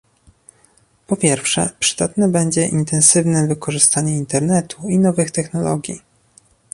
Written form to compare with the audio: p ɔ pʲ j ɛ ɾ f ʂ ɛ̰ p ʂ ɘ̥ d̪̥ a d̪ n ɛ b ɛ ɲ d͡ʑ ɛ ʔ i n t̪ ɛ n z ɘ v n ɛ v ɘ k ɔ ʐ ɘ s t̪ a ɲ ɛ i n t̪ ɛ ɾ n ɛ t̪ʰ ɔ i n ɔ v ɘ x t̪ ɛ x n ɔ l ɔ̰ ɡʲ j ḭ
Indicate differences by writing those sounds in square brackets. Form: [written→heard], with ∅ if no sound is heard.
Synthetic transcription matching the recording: p ɔ pʲ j ɛ ɾ f ʂ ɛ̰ p ʂ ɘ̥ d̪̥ a [d̪→t̪] n ɛ b ɛ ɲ d͡ʑ ɛ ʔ i n t̪ ɛ n [z→s] ɘ v n ɛ v ɘ k ɔ ʐ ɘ s t̪ a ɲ ɛ i n t̪ ɛ ɾ n ɛ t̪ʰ [ɔ→u] i n ɔ v ɘ x t̪ ɛ x n ɔ l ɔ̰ ɡʲ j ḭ

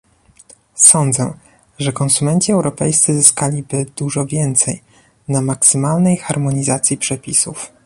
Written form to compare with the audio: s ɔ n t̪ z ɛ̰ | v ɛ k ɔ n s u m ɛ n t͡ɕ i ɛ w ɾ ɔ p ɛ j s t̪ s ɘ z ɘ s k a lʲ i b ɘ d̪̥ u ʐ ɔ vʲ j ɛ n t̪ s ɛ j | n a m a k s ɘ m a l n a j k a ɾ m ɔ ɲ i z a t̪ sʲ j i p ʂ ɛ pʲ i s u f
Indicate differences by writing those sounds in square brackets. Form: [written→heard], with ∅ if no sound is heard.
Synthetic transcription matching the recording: s ɔ n [t̪→d̪] z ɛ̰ | [v→ʐ] ɛ k ɔ n s u m ɛ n t͡ɕ i ɛ w ɾ ɔ p ɛ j s t̪ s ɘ z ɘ s k a lʲ i b ɘ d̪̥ u ʐ ɔ vʲ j ɛ n t̪ s ɛ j | n a m a k s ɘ m a l n [a→ɛ] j [k→x] a ɾ m ɔ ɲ i z a t̪ sʲ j i p ʂ ɛ pʲ i s u f

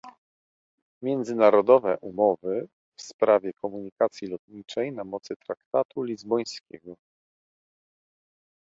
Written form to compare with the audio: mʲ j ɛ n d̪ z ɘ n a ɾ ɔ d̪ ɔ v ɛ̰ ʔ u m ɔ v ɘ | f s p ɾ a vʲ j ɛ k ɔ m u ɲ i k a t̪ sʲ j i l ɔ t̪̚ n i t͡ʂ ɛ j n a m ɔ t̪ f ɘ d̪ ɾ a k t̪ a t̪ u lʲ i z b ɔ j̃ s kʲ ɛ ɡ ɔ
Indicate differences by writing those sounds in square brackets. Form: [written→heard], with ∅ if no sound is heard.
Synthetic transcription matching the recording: mʲ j ɛ n d̪ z ɘ n a ɾ ɔ d̪ ɔ v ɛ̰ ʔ u m ɔ v ɘ | f s p ɾ a vʲ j ɛ k ɔ m u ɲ i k a t̪ sʲ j i l ɔ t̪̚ [n→ɲ] i t͡ʂ ɛ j n a m ɔ t̪ [f→s] ɘ [d̪→t̪] ɾ a k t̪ a t̪ u lʲ i z b ɔ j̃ s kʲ ɛ ɡ ɔ

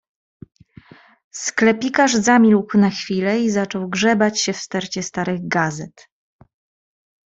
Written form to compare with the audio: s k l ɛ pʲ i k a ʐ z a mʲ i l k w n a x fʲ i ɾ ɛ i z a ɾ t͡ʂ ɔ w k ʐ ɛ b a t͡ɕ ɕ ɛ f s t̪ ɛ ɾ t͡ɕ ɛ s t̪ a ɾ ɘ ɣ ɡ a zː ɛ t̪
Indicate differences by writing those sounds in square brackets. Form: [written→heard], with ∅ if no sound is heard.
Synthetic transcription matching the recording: s k l ɛ pʲ i k a ʐ z a mʲ i l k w n a x fʲ i [ɾ→l] ɛ i z a [ɾ→∅] t͡ʂ ɔ w [k→ɡ] ʐ ɛ b a t͡ɕ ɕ ɛ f s t̪ ɛ ɾ t͡ɕ ɛ s t̪ a ɾ ɘ ɣ ɡ a [zː→z] ɛ t̪

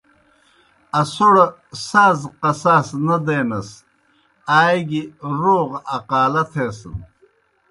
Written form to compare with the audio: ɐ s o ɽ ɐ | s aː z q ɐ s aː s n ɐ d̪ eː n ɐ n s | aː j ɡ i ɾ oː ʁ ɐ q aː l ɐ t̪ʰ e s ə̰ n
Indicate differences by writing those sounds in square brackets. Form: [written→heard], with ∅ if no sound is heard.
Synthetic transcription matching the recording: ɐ s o ɽ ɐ | s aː z q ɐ s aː s n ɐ d̪ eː n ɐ [n→∅] s | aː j ɡ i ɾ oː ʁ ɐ q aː l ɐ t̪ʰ e s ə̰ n

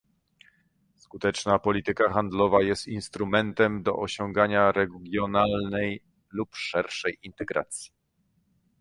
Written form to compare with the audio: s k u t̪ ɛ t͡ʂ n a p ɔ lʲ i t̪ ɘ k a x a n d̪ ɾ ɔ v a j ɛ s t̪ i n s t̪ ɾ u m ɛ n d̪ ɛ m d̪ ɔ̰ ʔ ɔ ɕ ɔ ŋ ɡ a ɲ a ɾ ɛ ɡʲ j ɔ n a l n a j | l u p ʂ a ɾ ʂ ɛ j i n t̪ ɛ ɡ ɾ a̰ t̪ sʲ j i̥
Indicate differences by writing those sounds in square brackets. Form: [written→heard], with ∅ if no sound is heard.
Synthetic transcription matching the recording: s k u t̪ ɛ t͡ʂ n a p ɔ lʲ i t̪ ɘ k a x a n d̪ [ɾ→l] ɔ v a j ɛ s t̪ i n s t̪ ɾ u m ɛ n [d̪→t̪] ɛ m d̪ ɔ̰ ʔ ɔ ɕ ɔ ŋ ɡ a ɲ a ɾ ɛ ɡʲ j ɔ n a l n [a→ɛ] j | l u p ʂ [a→ɛ] ɾ ʂ ɛ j i n t̪ ɛ ɡ ɾ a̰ t̪ sʲ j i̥

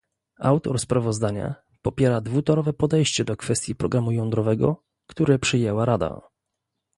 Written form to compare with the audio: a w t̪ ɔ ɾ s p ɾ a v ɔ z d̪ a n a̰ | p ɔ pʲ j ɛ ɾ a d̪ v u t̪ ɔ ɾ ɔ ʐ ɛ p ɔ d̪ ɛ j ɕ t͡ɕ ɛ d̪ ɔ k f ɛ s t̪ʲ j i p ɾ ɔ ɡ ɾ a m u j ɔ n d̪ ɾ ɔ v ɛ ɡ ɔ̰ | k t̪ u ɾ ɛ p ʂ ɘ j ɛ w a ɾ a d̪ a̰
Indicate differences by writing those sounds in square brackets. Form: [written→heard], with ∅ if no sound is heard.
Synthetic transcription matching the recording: a w t̪ ɔ ɾ s p ɾ a v ɔ z d̪ a [n→ɲ] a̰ | p ɔ pʲ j ɛ ɾ a d̪ v u t̪ ɔ ɾ ɔ [ʐ→v] ɛ p ɔ d̪ ɛ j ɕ t͡ɕ ɛ d̪ ɔ k f ɛ s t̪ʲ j i p ɾ ɔ ɡ ɾ a m u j ɔ n d̪ ɾ ɔ v ɛ ɡ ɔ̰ | k t̪ u ɾ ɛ p ʂ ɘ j ɛ w a ɾ a d̪ a̰

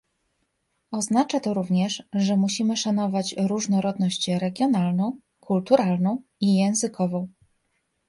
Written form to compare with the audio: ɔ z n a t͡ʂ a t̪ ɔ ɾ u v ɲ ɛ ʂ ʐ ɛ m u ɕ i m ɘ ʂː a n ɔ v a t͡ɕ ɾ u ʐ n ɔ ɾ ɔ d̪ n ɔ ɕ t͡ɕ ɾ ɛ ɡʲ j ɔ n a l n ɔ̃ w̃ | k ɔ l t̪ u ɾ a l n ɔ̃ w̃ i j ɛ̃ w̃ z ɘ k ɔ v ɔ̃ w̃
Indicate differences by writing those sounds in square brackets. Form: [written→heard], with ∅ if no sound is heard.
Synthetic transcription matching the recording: ɔ z n a t͡ʂ a t̪ ɔ ɾ u v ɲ ɛ ʂ ʐ ɛ m u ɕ i m ɘ [ʂː→ʂ] a n ɔ v a t͡ɕ ɾ u ʐ n ɔ ɾ ɔ d̪ n ɔ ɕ t͡ɕ ɾ ɛ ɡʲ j ɔ n a l n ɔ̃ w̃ | k [ɔ→u] l t̪ u ɾ a l n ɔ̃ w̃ i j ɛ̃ w̃ z ɘ k ɔ v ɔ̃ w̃

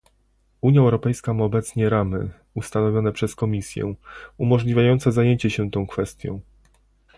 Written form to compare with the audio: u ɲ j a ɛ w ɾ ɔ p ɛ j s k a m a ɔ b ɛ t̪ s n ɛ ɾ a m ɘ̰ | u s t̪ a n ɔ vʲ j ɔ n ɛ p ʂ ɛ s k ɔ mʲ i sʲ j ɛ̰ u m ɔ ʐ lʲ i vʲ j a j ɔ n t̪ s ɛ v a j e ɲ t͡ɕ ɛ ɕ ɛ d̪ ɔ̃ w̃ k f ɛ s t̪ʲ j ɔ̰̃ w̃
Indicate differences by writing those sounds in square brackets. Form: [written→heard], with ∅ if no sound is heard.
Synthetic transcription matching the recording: u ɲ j a ɛ w ɾ ɔ p ɛ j s k a m a ɔ b ɛ t̪ s [n→ɲ] ɛ ɾ a m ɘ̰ | u s t̪ a n ɔ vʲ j ɔ n ɛ p ʂ ɛ s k ɔ mʲ i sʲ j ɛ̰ u m ɔ ʐ lʲ i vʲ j a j ɔ n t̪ s ɛ [v→z] a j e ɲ t͡ɕ ɛ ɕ ɛ [d̪→t̪] ɔ̃ w̃ k f ɛ s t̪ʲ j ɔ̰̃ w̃

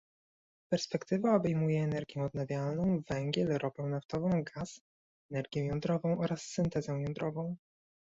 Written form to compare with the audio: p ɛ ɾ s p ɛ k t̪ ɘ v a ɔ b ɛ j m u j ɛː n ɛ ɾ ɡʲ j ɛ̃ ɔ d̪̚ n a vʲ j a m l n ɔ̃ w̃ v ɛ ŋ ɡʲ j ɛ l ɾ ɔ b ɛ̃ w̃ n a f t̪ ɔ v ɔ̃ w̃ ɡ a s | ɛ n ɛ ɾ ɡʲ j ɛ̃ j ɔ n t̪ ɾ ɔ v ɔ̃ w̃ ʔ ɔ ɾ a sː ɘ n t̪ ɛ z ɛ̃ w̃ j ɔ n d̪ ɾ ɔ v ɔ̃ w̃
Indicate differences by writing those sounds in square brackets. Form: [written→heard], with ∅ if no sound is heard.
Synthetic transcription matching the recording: p ɛ ɾ s p ɛ k t̪ ɘ v a ɔ b ɛ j m u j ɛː n ɛ ɾ ɡʲ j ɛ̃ ɔ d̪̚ n a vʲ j a [m→∅] l n ɔ̃ w̃ v ɛ ŋ ɡʲ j ɛ l ɾ ɔ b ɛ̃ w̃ n a f t̪ ɔ v ɔ̃ w̃ ɡ a s | ɛ n ɛ ɾ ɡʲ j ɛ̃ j ɔ n [t̪→d̪] ɾ ɔ v ɔ̃ w̃ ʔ ɔ ɾ a sː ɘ n t̪ ɛ z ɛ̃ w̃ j ɔ n d̪ ɾ ɔ v ɔ̃ w̃

